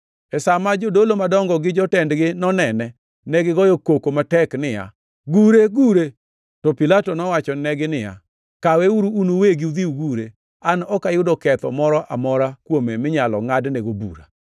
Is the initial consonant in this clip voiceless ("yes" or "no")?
yes